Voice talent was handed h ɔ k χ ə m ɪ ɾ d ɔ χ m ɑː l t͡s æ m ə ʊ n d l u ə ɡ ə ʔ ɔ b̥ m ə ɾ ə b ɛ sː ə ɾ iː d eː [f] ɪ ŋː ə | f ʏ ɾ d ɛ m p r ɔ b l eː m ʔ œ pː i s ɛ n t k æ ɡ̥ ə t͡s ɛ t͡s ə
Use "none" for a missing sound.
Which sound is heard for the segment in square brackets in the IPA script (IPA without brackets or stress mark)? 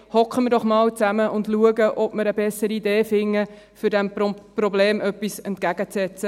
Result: f